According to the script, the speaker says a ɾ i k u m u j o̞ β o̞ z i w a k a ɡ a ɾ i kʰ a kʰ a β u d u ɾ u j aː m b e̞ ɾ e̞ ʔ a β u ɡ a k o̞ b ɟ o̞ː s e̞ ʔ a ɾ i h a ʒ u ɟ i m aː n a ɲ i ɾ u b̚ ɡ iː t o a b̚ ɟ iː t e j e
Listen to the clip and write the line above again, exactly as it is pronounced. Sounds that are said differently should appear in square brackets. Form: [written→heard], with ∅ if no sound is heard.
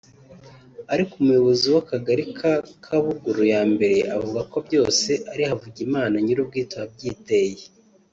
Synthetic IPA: a ɾ i k u m u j o̞ β o̞ z i w a k a ɡ a ɾ i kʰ a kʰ a β u [d→ɡ] u ɾ u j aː m b e̞ ɾ e̞ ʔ a [β→v] u ɡ a k o̞ b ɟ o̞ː s e̞ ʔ a ɾ i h a [ʒ→v] u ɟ i m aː n a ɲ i ɾ u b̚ ɡ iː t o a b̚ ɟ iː t e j e